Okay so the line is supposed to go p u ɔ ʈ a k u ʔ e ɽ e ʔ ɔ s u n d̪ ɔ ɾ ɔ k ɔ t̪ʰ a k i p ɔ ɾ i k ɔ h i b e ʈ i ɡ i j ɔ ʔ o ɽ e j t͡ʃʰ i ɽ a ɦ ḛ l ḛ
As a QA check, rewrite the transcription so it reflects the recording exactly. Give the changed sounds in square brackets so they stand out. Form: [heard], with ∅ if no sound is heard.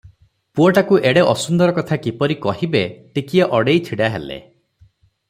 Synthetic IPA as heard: p u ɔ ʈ a k u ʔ e ɽ e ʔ ɔ s u n d̪ ɔ ɾ ɔ k ɔ t̪ʰ a k i p ɔ ɾ i k ɔ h i b e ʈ i [k] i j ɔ ʔ [ɔ] ɽ e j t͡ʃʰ i ɽ a ɦ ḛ l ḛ